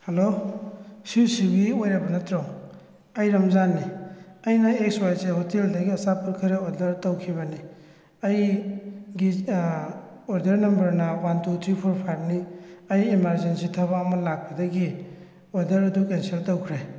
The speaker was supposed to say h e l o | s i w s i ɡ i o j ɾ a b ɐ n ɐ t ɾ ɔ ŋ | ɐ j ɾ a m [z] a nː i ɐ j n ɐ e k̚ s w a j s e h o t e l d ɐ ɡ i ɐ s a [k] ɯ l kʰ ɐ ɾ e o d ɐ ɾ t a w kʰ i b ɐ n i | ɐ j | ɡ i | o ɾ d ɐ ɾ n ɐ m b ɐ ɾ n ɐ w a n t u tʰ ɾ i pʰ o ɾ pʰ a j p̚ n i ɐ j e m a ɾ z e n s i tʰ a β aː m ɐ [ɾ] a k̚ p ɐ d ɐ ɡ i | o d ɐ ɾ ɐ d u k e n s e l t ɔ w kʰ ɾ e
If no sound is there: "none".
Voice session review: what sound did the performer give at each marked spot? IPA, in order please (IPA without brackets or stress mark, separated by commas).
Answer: z, p, l